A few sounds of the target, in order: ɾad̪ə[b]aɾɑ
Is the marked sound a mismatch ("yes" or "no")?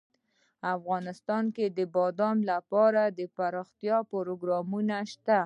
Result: yes